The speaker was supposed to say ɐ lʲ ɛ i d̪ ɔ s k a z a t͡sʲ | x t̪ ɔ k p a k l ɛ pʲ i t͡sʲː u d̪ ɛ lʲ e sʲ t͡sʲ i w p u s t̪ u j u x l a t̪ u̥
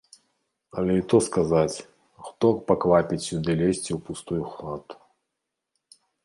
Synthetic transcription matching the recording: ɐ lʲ ɛ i t̪ ɔ s k a z a t͡sʲ | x t̪ ɔ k p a k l a pʲ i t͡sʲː u d̪ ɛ lʲ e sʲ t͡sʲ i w p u s t̪ u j u x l a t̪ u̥

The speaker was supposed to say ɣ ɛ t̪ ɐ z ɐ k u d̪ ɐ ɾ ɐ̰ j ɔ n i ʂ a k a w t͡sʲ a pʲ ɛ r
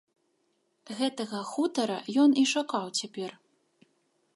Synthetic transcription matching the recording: ɣ ɛ t̪ ɐ ɣ ɐ x u t̪ ɐ ɾ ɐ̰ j ɔ n i ʂ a k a w t͡sʲ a pʲ ɛ r

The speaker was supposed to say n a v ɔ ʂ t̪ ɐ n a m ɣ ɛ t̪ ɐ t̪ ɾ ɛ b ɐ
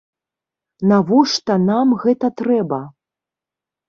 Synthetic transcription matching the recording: n a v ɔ ʂ t̪ ɐ n a m ɣ ɛ t̪ ɐ t̪ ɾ ɛ b ɐ

